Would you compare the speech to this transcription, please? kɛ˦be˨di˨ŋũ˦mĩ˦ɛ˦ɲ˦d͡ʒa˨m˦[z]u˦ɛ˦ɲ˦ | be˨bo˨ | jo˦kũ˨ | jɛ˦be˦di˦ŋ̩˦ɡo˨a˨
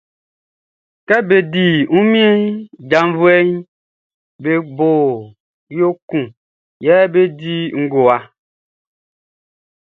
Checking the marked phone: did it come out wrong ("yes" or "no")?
yes